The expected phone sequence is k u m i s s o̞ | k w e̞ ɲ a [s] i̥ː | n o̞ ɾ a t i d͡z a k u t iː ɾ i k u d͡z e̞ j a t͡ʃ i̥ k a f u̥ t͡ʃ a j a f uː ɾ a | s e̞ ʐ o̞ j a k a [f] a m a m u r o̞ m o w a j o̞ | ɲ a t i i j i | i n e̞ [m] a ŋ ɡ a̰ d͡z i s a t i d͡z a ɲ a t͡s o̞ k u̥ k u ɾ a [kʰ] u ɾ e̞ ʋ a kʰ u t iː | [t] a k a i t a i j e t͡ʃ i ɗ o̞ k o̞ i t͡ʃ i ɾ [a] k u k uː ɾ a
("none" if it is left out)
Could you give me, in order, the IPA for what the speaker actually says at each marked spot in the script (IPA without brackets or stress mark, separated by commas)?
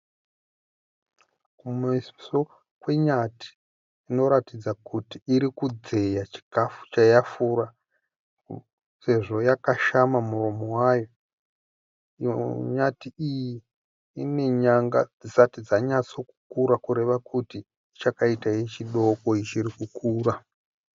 t, ʃ, ɲ, k, t͡ʃ, i